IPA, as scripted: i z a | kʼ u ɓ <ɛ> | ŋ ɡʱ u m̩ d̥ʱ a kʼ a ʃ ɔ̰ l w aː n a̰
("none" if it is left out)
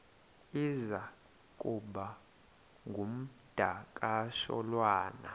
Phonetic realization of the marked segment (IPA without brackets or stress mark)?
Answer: a